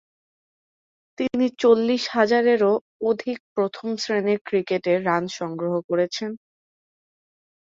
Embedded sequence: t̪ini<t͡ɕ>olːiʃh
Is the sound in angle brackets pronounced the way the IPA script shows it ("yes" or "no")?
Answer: yes